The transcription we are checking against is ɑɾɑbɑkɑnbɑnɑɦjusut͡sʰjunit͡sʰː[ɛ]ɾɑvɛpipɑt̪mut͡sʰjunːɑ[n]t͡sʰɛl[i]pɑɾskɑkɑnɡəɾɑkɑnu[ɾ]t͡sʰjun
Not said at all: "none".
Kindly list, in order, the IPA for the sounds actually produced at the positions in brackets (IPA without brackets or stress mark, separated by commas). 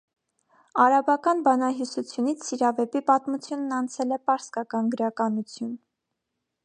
i, n, ɛ, none